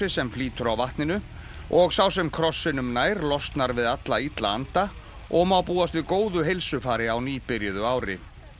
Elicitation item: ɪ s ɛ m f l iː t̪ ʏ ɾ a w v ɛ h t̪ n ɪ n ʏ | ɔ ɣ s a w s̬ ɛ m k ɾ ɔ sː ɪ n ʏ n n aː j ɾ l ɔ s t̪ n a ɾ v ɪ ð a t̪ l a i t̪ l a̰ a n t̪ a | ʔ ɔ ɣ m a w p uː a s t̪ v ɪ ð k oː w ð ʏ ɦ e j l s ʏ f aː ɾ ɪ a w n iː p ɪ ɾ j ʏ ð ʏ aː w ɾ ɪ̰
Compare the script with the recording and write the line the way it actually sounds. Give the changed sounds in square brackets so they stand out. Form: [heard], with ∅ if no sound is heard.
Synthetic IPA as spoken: ɪ s ɛ m f l iː t̪ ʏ ɾ a w v [a] h t̪ n ɪ n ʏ | ɔ ɣ s a w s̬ ɛ m [kʰ] ɾ ɔ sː ɪ n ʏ [m] n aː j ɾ l ɔ s t̪ n a ɾ v ɪ ð a t̪ l a i t̪ l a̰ a n t̪ a | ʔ ɔ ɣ m a w p uː a s t̪ v ɪ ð k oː w ð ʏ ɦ e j l s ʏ f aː ɾ ɪ a w n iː p ɪ ɾ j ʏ ð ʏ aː w ɾ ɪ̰